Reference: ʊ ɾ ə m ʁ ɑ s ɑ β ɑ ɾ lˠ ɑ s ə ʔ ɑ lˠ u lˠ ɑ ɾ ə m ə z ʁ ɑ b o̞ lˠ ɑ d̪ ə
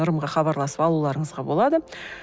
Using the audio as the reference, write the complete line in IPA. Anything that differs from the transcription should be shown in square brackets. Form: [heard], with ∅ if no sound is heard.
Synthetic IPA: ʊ ɾ ə m ʁ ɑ [χ] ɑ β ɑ ɾ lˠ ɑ s ə [p] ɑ lˠ u lˠ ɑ ɾ ə [ɴ] ə z ʁ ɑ b o̞ lˠ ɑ d̪ ə